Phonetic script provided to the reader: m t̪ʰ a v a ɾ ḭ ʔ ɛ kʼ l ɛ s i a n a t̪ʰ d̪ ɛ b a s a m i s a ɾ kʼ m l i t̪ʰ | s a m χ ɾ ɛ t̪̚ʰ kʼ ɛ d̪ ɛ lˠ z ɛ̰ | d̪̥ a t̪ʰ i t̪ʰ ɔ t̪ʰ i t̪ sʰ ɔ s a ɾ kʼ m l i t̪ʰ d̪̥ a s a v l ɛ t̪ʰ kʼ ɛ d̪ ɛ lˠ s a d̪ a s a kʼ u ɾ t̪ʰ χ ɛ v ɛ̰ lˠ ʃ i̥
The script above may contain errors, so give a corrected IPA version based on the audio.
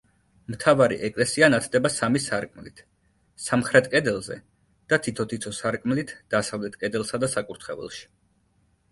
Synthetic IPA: m t̪ʰ a v a ɾ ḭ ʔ ɛ kʼ l ɛ s i a n a t̪ʰ d̪ ɛ b a s a m i s a ɾ kʼ m l i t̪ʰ | s a m χ ɾ ɛ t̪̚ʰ kʼ ɛ d̪ ɛ lˠ z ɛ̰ | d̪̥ a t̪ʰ i t̪ʰ ɔ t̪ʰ i t̪ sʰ ɔ s a ɾ kʼ m l i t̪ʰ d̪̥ a s a v l ɛ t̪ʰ kʼ ɛ d̪ ɛ lˠ s a d̪ a s a kʼ u ɾ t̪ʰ χ ɛ v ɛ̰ lˠ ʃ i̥